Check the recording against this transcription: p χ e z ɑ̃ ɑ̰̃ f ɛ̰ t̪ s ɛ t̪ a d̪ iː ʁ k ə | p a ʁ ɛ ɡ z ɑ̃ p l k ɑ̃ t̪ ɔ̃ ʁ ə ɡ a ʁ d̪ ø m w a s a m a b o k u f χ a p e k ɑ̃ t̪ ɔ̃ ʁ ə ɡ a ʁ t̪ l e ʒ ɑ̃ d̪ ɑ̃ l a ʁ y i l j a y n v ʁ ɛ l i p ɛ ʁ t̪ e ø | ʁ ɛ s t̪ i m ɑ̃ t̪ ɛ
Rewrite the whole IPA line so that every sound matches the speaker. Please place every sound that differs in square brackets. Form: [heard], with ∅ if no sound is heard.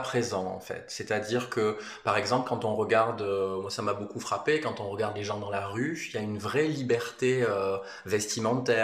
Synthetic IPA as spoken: p χ e z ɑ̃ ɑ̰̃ f ɛ̰ t̪ s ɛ t̪ a d̪ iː ʁ k ə | p a ʁ ɛ ɡ z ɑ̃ p l k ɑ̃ t̪ ɔ̃ ʁ ə ɡ a ʁ d̪ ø m w a s a m a b o k u f χ a p e k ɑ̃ t̪ ɔ̃ ʁ ə ɡ a ʁ [d̪] l e ʒ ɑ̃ d̪ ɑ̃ l a ʁ y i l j a y n v ʁ ɛ l i [b] ɛ ʁ t̪ e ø | [v] ɛ s t̪ i m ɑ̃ t̪ ɛ